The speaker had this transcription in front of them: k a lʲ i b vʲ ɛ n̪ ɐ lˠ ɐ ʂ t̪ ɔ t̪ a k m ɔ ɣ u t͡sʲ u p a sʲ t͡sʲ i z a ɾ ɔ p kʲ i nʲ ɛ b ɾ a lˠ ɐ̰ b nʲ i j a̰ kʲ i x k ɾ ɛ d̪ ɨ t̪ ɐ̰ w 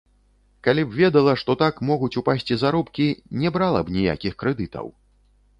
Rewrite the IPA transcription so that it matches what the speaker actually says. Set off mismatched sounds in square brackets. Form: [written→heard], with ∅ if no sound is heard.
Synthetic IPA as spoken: k a lʲ i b vʲ ɛ [n̪→d̪] ɐ lˠ ɐ ʂ t̪ ɔ t̪ a k m ɔ ɣ u t͡sʲ u p a sʲ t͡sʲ i z a ɾ ɔ p kʲ i nʲ ɛ b ɾ a lˠ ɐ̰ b nʲ i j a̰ kʲ i x k ɾ ɛ d̪ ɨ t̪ ɐ̰ w